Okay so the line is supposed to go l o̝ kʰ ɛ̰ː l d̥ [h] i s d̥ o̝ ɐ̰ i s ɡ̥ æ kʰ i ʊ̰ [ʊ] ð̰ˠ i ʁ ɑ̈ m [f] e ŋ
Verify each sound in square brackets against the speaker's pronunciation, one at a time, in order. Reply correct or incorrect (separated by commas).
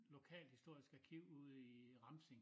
correct, incorrect, incorrect